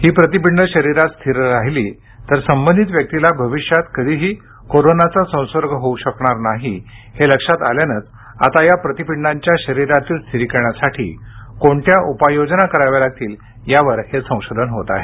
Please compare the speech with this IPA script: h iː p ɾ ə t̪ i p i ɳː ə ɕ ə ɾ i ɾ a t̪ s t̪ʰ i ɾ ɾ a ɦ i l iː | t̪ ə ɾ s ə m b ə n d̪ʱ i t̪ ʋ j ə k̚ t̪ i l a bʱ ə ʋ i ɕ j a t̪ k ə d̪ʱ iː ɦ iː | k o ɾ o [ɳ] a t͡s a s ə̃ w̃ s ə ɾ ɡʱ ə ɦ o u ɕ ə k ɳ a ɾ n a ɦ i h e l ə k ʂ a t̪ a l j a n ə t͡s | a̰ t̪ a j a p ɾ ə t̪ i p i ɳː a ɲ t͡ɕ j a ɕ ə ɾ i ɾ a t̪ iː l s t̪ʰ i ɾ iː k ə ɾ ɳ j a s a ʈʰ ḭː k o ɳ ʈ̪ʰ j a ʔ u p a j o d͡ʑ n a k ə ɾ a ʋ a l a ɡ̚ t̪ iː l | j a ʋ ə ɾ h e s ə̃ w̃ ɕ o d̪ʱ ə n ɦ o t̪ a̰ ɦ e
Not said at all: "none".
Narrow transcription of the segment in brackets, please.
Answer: n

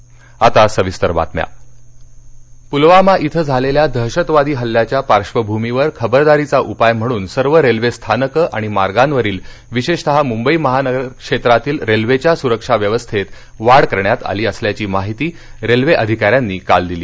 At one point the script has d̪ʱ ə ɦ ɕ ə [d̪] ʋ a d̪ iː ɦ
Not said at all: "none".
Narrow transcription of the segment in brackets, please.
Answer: t̪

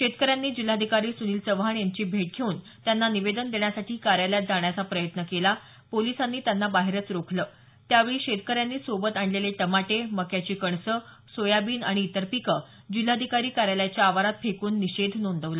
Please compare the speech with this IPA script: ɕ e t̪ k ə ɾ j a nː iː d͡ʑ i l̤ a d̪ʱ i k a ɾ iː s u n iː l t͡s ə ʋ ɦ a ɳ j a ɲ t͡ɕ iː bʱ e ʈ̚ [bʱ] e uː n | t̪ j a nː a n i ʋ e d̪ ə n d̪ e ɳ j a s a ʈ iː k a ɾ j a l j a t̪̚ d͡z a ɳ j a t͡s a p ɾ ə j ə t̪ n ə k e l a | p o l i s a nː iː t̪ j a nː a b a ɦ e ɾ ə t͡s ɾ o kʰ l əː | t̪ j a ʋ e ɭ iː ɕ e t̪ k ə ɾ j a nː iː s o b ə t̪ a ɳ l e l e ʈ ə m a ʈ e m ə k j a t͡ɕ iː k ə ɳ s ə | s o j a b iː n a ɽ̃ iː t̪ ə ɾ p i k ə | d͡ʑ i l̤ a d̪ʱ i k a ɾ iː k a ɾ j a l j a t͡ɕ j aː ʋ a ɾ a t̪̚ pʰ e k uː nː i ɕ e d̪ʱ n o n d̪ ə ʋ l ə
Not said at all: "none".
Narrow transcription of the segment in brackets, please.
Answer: ɡʱ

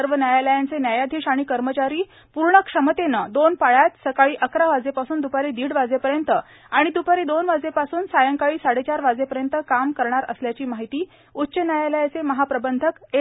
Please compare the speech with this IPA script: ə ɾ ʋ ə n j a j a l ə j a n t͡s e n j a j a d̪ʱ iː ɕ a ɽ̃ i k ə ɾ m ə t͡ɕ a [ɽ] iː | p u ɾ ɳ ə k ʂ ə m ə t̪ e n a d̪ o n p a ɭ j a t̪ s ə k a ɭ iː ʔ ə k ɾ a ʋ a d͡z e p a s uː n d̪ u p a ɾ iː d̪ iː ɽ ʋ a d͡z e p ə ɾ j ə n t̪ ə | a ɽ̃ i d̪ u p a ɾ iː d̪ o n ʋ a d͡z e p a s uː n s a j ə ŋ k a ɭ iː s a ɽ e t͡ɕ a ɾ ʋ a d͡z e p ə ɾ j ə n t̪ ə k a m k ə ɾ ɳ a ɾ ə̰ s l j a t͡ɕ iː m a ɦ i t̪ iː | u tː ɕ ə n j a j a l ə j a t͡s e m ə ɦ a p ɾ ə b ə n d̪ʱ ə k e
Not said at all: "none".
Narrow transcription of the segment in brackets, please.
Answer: ɾ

